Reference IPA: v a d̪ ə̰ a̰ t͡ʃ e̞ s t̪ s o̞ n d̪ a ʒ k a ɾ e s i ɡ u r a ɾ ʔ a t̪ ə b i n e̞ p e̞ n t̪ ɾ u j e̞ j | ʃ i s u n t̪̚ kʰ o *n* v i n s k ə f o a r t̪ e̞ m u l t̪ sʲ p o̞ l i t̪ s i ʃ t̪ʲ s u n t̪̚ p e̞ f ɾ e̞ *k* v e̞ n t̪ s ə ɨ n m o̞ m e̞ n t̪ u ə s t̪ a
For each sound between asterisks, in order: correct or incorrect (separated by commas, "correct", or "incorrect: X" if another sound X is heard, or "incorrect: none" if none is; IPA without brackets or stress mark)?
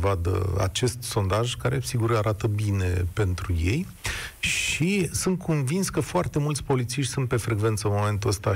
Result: correct, incorrect: ɡ